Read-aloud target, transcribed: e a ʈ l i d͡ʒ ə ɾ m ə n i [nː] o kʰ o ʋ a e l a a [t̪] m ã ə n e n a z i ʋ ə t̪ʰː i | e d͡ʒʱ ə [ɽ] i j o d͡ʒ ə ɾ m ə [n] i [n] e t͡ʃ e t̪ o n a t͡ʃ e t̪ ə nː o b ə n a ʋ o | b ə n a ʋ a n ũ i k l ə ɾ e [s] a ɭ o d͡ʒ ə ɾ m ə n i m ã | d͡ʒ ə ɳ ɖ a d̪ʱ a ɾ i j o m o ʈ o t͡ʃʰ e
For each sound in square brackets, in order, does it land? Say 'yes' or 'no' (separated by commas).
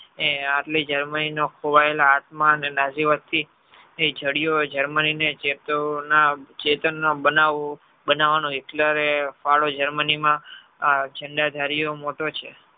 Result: no, yes, yes, yes, yes, no